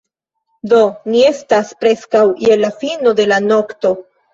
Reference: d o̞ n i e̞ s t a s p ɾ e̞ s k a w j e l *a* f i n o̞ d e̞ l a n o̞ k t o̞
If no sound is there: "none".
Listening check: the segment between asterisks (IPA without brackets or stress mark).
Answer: a